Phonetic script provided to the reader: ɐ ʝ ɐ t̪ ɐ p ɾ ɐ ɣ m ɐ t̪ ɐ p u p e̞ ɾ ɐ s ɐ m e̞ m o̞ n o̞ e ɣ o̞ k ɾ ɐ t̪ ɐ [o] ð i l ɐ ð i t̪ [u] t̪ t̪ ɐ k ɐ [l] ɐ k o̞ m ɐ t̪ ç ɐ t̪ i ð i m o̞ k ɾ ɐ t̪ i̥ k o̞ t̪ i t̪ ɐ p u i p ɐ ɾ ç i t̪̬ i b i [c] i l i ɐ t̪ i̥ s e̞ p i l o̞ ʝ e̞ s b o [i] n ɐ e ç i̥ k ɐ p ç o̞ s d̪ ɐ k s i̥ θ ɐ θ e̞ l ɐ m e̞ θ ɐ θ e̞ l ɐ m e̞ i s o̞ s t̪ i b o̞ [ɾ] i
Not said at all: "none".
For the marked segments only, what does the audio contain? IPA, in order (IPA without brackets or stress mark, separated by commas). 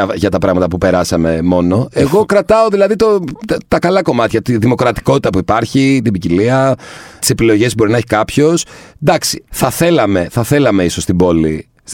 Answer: o, o, l, c, i, l